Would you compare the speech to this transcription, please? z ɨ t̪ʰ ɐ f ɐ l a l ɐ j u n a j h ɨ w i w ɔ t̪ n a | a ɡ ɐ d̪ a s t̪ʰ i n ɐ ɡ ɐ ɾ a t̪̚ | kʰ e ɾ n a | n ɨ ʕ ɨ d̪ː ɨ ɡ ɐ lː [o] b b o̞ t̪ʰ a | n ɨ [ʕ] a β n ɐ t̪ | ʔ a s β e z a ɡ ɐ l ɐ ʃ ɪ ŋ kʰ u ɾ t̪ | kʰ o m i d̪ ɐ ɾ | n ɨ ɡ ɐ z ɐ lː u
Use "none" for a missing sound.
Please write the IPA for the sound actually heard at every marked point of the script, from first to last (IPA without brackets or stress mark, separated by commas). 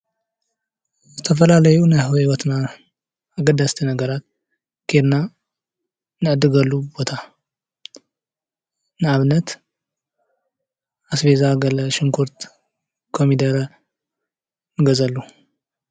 u, ʕ